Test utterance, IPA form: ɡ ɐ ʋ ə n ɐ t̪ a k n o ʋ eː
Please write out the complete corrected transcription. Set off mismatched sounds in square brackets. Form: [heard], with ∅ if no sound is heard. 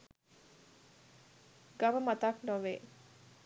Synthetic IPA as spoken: ɡ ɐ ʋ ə [m] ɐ t̪ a k n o ʋ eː